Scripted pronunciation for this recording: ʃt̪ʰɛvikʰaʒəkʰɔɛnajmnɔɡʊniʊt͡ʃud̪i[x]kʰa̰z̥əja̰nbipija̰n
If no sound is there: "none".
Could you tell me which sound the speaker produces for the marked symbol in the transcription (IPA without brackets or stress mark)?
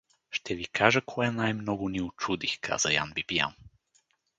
x